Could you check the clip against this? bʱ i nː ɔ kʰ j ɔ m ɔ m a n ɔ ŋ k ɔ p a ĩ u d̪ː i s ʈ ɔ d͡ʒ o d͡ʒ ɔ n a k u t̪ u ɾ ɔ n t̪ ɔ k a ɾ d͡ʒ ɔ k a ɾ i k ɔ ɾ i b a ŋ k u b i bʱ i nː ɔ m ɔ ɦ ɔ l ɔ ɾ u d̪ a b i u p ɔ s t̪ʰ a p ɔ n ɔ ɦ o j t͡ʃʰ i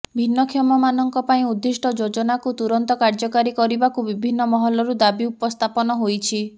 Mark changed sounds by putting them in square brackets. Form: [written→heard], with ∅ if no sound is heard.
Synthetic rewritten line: bʱ i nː ɔ kʰ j ɔ m ɔ m a n ɔ ŋ k ɔ p a ĩ u d̪ː i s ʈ ɔ d͡ʒ o d͡ʒ ɔ n a k u t̪ u ɾ ɔ n t̪ ɔ k a ɾ d͡ʒ ɔ k a ɾ i k ɔ ɾ i b a [ŋ→∅] k u b i bʱ i nː ɔ m ɔ ɦ ɔ l ɔ ɾ u d̪ a b i u p ɔ s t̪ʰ a p ɔ n ɔ ɦ o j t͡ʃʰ i